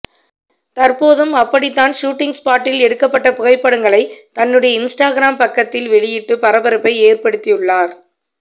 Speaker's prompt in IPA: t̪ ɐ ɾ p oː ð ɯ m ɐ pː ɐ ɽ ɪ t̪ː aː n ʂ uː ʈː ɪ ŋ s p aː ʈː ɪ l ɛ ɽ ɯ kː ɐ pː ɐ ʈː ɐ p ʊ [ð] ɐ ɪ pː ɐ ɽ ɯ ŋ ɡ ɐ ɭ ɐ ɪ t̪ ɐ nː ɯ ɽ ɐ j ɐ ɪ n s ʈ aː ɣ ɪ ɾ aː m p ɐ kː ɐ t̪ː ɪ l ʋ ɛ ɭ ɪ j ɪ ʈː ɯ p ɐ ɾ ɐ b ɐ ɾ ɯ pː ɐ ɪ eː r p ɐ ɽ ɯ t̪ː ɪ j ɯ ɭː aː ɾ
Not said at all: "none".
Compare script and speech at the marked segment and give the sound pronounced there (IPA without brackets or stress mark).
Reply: ɣ